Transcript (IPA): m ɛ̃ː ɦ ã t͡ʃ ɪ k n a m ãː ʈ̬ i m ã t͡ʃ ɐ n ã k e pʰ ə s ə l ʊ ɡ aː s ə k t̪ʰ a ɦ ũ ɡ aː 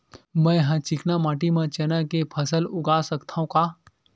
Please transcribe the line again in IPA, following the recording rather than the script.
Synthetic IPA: m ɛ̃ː ɦ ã t͡ʃ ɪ k n a m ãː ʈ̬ i m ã t͡ʃ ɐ n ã k e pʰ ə s ə l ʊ ɡ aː s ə k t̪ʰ a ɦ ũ k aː